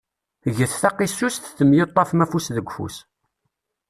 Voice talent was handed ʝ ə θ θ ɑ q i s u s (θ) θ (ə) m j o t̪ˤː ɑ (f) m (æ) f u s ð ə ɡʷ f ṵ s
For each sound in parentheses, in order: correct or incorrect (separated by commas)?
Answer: correct, correct, correct, correct